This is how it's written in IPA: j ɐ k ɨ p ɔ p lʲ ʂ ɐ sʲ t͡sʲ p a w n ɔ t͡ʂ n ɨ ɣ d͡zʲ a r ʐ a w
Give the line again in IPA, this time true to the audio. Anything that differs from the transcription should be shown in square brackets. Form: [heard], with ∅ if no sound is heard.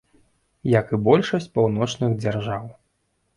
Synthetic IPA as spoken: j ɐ k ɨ [b] ɔ [∅] lʲ ʂ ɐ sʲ t͡sʲ p a w n ɔ t͡ʂ n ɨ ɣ d͡zʲ a r ʐ a w